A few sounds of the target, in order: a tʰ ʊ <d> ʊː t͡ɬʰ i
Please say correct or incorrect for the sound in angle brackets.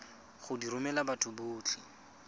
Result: incorrect